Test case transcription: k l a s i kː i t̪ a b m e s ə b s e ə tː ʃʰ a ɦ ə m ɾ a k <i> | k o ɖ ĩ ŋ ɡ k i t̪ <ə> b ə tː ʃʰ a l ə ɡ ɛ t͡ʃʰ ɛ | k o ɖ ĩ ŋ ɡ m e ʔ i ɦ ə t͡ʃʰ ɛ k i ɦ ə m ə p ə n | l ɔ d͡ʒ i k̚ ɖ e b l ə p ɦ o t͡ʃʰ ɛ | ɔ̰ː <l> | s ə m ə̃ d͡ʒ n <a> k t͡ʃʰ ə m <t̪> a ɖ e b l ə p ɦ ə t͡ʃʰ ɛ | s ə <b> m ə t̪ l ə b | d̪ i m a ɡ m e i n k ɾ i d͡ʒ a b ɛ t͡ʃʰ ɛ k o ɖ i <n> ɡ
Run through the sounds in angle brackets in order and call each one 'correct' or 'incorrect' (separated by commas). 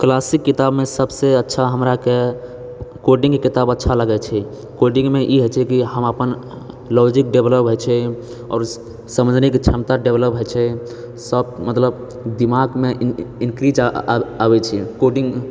incorrect, incorrect, incorrect, incorrect, correct, correct, incorrect